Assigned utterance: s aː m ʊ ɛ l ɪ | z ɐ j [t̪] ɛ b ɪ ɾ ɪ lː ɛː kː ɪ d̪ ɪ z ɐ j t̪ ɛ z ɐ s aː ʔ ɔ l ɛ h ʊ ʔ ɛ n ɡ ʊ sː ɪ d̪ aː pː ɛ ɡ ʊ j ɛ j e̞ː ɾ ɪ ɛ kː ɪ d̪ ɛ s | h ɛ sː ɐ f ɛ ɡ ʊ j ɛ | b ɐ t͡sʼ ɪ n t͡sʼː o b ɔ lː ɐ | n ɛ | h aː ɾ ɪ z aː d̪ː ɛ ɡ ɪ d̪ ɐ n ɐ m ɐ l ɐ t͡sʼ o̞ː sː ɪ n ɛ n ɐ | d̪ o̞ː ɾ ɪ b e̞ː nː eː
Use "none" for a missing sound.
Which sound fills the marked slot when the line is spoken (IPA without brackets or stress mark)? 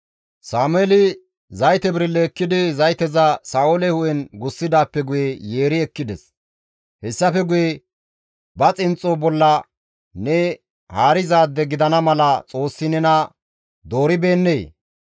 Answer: t̪